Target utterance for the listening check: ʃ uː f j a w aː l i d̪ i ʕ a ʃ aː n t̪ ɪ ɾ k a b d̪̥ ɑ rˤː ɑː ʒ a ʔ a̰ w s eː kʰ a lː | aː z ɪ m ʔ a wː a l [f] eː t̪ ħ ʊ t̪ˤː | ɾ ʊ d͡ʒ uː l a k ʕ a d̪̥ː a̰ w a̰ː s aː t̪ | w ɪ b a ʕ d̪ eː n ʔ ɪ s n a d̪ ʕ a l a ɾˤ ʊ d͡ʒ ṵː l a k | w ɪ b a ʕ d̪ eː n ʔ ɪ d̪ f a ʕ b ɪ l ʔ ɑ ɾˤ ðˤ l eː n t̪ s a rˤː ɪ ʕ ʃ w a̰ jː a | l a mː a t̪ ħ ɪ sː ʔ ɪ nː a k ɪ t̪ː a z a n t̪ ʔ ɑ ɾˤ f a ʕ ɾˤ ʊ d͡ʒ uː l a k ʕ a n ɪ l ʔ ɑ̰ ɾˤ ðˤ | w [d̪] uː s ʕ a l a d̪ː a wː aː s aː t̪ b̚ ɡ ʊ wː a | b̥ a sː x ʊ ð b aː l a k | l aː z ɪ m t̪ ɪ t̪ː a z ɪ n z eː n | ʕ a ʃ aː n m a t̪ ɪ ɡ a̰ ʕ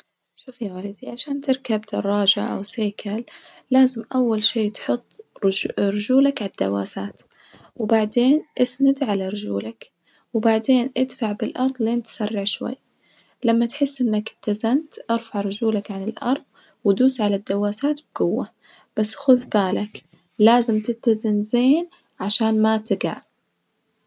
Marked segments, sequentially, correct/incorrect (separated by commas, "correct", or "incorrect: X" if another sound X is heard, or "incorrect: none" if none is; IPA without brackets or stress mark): incorrect: ʃ, correct